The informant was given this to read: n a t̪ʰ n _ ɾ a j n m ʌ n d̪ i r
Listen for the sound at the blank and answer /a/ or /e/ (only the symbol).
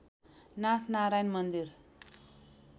a